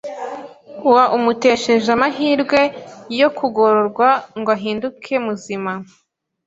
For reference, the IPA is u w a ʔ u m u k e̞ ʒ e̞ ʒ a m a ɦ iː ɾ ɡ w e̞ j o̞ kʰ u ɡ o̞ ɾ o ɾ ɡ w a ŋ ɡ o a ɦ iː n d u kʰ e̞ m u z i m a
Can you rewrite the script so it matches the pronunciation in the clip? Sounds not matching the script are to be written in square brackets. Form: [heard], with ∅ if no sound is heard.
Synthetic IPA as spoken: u w a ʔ u m u [t] e̞ [ʃ] e̞ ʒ a m a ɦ iː ɾ ɡ w e̞ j o̞ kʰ u ɡ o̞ ɾ o ɾ ɡ w a ŋ ɡ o a ɦ iː n d u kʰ e̞ m u z i m a